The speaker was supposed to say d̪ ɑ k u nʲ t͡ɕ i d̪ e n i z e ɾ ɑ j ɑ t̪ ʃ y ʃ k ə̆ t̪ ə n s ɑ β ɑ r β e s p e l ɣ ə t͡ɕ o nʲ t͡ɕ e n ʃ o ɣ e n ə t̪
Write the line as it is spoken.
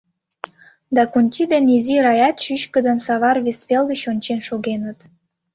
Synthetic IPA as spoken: d̪ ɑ k u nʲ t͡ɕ i d̪ e n i z i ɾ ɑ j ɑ t̪ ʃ y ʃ k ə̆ d̪ ə n s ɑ β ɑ r β e s p e l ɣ ə t͡ɕ o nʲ t͡ɕ e n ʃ o ɣ e n ə t̪